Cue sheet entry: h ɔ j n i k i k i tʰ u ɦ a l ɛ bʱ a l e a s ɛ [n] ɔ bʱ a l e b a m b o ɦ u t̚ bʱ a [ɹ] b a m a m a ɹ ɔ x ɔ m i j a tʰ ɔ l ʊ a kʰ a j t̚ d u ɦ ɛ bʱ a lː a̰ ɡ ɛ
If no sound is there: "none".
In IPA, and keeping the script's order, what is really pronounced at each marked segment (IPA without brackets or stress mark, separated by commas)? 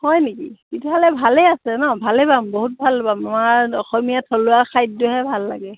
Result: n, l